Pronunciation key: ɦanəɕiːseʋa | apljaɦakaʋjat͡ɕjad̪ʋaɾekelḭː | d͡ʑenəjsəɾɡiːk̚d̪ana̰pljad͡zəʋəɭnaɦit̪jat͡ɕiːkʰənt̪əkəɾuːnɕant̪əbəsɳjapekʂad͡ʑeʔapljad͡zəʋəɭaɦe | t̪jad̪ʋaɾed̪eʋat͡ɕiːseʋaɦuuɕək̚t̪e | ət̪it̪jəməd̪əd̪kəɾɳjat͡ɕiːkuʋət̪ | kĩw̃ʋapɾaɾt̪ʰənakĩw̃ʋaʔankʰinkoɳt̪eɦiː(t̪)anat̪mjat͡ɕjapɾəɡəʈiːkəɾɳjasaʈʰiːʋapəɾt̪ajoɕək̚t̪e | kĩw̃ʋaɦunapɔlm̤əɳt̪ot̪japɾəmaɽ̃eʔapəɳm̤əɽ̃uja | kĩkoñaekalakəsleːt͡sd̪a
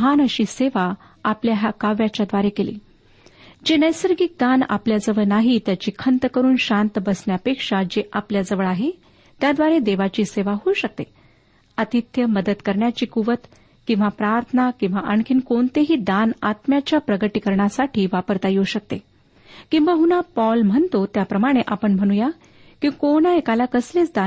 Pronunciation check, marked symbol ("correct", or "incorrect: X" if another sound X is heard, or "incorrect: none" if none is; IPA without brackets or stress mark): incorrect: d̪